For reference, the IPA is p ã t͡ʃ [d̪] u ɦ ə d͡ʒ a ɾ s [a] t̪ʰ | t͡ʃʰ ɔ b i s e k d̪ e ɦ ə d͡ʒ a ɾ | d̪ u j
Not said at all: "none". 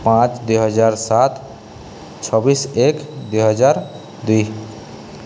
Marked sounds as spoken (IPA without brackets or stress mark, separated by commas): d̪, a